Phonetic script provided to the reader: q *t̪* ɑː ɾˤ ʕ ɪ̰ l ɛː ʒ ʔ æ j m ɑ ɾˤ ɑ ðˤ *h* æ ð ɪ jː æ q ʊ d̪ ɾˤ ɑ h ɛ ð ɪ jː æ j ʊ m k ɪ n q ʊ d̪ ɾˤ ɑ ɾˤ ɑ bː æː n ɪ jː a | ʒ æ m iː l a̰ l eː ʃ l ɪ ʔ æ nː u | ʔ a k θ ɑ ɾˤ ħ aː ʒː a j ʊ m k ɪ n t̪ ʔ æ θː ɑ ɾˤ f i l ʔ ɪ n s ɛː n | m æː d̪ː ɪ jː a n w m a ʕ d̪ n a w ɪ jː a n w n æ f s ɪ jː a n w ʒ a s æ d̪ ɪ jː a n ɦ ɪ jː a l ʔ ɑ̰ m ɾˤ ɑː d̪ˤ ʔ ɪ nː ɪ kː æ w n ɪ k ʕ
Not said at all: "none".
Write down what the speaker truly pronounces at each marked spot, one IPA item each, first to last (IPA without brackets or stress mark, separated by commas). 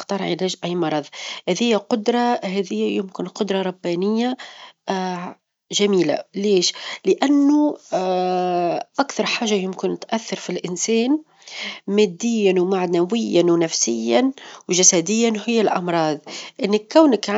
t̪, h